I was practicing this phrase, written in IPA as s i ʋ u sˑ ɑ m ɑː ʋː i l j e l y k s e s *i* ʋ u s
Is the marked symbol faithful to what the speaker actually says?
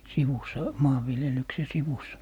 yes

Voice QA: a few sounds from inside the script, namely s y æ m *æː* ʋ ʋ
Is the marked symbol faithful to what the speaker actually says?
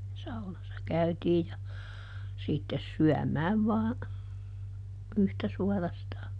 yes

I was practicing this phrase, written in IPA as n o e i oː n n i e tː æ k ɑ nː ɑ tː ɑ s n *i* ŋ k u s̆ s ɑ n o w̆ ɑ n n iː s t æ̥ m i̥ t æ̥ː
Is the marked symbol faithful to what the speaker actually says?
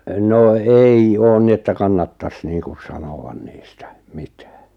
no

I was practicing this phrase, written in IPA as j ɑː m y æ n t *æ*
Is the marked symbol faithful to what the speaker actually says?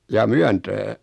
no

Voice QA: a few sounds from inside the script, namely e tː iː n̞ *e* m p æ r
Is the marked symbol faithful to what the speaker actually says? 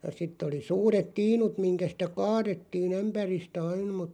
no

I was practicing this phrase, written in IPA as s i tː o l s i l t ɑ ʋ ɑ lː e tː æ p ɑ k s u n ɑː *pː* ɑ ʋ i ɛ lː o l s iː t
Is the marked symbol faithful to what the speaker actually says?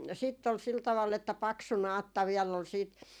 no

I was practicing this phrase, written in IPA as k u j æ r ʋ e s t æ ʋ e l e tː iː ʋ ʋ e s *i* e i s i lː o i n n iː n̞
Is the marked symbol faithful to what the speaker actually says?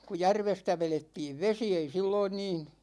yes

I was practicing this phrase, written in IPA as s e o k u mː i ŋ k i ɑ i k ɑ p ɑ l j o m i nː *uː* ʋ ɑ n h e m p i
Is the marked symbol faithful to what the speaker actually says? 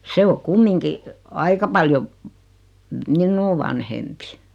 yes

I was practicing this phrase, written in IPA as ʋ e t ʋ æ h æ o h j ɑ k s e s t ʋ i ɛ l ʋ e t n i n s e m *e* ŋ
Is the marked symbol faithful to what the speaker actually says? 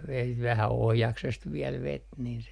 yes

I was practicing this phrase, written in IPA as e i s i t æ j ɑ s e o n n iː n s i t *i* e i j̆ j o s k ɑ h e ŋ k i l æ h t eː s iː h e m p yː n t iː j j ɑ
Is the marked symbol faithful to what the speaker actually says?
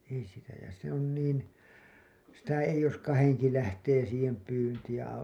no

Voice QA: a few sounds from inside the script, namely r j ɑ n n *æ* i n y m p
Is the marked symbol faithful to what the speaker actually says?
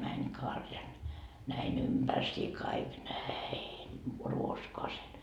yes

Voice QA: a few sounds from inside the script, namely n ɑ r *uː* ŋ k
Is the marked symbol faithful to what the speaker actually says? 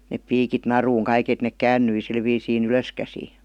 yes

